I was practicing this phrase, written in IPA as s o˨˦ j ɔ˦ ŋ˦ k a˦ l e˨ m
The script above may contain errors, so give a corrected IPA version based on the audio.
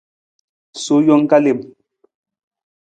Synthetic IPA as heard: s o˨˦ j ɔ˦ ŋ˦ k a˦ l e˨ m

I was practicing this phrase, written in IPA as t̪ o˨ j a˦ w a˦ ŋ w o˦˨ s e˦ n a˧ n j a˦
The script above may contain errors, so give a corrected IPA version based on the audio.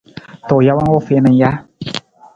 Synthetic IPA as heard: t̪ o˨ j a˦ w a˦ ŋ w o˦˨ f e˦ n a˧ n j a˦

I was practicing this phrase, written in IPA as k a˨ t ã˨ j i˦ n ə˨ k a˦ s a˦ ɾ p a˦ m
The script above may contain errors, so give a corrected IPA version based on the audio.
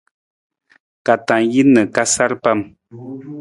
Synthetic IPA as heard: k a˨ t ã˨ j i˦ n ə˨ k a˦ s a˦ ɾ p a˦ m

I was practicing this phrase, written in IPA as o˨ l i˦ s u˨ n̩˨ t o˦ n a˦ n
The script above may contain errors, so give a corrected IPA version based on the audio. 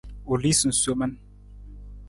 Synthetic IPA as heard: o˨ l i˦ s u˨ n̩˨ s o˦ m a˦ n

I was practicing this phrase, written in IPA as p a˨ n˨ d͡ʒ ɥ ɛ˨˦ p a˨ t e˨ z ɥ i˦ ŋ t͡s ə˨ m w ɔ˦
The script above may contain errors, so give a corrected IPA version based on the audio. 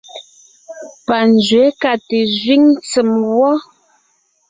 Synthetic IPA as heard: p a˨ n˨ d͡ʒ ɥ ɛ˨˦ k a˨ t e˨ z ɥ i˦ ŋ t͡s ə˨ m w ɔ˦

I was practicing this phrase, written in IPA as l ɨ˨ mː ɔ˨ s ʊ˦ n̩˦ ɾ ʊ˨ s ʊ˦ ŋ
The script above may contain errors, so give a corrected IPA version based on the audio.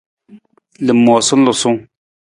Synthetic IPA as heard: l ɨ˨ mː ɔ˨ s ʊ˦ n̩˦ l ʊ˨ s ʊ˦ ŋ

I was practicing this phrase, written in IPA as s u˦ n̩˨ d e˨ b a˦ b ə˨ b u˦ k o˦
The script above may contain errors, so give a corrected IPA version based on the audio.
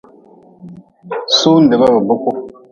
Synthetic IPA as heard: s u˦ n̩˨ d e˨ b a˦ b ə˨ b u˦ k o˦

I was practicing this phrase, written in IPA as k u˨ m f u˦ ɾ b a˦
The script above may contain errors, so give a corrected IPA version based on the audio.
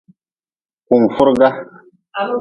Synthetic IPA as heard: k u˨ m f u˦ ɾ ɡ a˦

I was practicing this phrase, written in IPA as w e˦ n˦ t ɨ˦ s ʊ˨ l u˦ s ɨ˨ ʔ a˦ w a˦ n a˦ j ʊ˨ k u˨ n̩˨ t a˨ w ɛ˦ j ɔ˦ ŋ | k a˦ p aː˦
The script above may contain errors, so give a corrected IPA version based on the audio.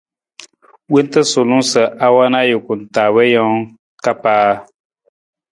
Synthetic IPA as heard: w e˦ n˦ t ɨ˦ s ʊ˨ l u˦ s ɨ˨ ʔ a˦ w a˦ n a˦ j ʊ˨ k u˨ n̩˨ t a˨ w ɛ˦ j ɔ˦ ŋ | k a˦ p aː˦

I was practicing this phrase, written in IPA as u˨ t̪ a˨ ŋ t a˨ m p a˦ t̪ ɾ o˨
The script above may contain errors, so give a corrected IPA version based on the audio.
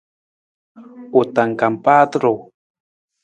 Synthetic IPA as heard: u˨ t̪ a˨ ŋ k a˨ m p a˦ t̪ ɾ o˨

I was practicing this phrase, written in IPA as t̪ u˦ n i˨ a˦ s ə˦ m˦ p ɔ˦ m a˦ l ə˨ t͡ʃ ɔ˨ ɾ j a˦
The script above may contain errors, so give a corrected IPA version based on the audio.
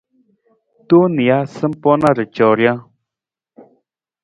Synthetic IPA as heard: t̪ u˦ n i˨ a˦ s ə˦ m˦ p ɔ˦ n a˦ ɾ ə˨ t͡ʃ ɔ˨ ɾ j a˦

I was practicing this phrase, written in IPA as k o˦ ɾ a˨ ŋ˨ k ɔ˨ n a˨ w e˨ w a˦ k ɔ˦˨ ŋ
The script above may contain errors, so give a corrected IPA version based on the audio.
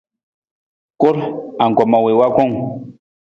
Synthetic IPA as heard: k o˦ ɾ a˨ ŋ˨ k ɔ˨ m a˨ w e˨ w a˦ k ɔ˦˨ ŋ

